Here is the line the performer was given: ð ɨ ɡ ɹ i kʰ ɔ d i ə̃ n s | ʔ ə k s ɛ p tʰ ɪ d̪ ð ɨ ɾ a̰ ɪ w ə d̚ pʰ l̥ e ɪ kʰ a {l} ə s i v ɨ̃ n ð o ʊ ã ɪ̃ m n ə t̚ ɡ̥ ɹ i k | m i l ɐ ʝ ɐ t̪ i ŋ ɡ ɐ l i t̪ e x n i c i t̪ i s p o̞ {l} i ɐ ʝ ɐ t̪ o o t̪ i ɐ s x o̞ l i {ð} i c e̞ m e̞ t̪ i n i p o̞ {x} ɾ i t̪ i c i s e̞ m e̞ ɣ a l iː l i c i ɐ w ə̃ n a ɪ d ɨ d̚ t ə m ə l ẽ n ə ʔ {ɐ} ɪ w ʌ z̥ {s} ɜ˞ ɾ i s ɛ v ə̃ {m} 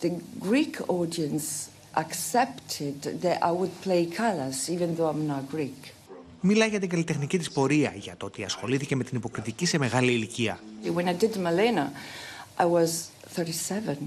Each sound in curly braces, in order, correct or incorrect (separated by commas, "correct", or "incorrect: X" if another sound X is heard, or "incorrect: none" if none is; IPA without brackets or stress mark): correct, incorrect: ɾ, incorrect: θ, incorrect: k, incorrect: a, incorrect: θ, incorrect: n